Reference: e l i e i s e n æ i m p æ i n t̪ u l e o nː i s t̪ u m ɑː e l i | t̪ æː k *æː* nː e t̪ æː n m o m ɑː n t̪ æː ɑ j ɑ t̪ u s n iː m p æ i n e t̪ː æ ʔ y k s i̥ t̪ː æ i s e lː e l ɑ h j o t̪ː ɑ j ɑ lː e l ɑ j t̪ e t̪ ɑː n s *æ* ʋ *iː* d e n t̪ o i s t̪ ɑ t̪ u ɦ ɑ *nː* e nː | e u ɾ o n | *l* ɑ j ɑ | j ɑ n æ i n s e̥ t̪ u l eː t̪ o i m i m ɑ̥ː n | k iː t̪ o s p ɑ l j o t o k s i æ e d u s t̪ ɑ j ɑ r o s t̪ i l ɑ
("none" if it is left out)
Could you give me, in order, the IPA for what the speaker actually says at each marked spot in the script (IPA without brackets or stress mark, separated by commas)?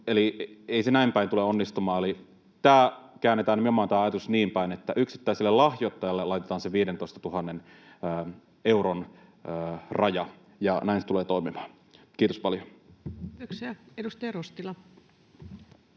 æː, e, iː, nː, r